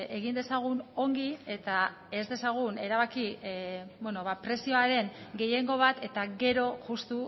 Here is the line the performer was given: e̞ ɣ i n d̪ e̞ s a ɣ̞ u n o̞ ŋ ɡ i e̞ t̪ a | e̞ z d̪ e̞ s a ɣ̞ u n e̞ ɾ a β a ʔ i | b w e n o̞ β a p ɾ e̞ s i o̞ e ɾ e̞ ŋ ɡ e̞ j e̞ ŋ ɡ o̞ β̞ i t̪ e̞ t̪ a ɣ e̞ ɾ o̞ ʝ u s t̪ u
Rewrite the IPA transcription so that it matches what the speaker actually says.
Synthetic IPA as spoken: e̞ ɣ i n d̪ e̞ s a ɣ̞ u n o̞ ŋ ɡ i e̞ t̪ a | e̞ z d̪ e̞ s a ɣ̞ u n e̞ ɾ a β a k i | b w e n o̞ β a p ɾ e̞ s i o̞ a ɾ e̞ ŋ ɡ e̞ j e̞ ŋ ɡ o̞ β̞ a t̪ e̞ t̪ a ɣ e̞ ɾ o̞ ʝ u s t̪ u